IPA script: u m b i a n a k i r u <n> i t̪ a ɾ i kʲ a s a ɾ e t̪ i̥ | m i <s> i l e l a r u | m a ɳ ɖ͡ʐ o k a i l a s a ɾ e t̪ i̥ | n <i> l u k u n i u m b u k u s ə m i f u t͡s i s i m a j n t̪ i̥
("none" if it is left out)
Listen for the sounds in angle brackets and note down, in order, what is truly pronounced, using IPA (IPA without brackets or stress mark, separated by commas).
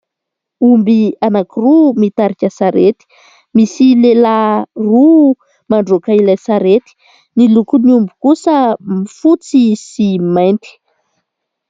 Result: m, s, i